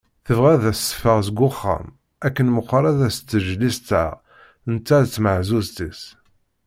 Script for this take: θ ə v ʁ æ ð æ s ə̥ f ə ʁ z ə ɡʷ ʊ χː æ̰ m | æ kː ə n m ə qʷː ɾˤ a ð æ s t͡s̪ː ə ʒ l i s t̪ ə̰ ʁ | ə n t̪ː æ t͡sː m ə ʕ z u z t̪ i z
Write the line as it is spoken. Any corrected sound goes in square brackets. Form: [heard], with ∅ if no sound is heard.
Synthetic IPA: θ ə v ʁ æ ð æ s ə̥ f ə ʁ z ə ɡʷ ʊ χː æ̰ m | æ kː ə n m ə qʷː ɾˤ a ð æ s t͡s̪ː ə ʒ l i s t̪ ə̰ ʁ | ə n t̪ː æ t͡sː m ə ʕ z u z t̪ i [s]